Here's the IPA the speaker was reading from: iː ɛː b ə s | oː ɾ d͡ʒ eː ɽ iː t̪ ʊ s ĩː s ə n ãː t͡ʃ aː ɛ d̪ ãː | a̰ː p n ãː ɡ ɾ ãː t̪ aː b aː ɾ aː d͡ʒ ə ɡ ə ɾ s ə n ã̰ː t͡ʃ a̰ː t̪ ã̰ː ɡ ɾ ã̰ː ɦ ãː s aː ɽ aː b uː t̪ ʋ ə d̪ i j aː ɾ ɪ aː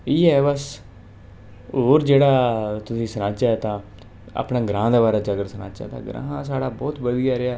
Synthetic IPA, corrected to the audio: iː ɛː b ə s | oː ɾ d͡ʒ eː ɽ aː t̪ ʊ s ĩː s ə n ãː t͡ʃ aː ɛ t̪ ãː | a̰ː p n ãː ɡ ɾ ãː d̪ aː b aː ɾ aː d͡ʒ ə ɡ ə ɾ s ə n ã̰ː t͡ʃ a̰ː t̪ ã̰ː ɡ ɾ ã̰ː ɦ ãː s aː ɽ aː b ɔː t̪ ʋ ə d̪ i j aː ɾ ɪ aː